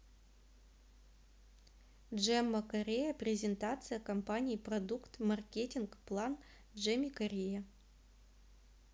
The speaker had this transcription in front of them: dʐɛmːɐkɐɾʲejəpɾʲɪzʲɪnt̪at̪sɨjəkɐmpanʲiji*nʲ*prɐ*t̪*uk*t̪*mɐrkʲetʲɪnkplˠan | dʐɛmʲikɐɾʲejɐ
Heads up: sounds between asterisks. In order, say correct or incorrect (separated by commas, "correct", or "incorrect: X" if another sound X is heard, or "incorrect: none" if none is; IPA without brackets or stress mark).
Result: incorrect: none, incorrect: d̪, correct